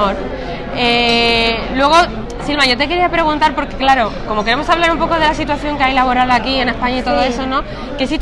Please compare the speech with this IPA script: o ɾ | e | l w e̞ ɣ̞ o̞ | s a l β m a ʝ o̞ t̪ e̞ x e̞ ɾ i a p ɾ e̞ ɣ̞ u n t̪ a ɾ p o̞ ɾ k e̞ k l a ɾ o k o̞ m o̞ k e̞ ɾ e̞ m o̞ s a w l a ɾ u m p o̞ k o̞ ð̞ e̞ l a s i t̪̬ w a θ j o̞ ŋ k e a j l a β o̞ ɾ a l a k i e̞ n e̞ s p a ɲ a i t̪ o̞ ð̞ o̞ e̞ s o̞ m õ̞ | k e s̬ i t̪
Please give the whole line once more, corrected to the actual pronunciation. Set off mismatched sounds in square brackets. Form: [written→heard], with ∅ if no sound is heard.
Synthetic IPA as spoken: o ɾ | e | l w e̞ ɣ̞ o̞ | s [a→i] l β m a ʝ o̞ t̪ e̞ [x→k] e̞ ɾ i a p ɾ e̞ ɣ̞ u n t̪ a ɾ p o̞ ɾ k e̞ k l a ɾ o k o̞ m o̞ k e̞ ɾ e̞ m o̞ s a [w→β] l a ɾ u m p o̞ k o̞ ð̞ e̞ l a s i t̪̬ w a θ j o̞ ŋ k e a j l a β o̞ ɾ a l a k i e̞ n e̞ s p a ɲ a i t̪ o̞ ð̞ o̞ e̞ s o̞ [m→n] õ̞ | k e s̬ i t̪